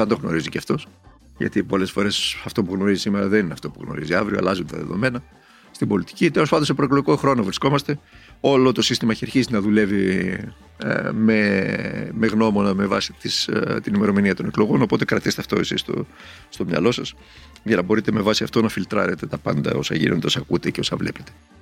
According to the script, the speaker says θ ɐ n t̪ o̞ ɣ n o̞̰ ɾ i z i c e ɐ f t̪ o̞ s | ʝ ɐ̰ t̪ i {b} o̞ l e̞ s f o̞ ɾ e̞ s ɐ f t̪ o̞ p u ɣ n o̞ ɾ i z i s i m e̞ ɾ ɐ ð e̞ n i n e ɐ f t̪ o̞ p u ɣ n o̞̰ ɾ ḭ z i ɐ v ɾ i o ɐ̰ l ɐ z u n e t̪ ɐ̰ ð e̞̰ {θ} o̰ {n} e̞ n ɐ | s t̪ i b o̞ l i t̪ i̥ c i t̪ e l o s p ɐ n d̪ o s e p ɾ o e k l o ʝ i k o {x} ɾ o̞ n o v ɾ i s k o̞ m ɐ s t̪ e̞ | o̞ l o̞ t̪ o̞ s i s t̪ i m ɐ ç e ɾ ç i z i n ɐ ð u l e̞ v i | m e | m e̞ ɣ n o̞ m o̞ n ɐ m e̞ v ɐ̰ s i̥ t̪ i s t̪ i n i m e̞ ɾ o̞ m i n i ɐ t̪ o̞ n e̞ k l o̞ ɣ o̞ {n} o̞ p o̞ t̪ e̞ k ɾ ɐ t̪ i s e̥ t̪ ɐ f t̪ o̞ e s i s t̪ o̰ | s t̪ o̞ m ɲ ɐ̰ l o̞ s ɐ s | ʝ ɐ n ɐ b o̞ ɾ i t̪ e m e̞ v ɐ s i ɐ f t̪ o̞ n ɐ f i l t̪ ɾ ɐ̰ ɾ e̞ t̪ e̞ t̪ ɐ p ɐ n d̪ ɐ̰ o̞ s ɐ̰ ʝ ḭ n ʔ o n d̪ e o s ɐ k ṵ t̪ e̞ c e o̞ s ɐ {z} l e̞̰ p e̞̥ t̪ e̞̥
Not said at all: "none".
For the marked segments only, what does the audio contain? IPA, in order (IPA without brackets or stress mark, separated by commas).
p, ð, m, x, n, v